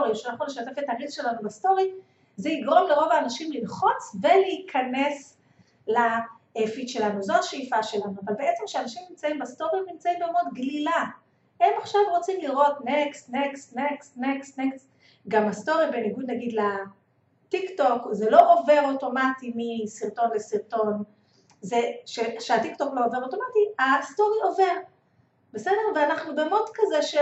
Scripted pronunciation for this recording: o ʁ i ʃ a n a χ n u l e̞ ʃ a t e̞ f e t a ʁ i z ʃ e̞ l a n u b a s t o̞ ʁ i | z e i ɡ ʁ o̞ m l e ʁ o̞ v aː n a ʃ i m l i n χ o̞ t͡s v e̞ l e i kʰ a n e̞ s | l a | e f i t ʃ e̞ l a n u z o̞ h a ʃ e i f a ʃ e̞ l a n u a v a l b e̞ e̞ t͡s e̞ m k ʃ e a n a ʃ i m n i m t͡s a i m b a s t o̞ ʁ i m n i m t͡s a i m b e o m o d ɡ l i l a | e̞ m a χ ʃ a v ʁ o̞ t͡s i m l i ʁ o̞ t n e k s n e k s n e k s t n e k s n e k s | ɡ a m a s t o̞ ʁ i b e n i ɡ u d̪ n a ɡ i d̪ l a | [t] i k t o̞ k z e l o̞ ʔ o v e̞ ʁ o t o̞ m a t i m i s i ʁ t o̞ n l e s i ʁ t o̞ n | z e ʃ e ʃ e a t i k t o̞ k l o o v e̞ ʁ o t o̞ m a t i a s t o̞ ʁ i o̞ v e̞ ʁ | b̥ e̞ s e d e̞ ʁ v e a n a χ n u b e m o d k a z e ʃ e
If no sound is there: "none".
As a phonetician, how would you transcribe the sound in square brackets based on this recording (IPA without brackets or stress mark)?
t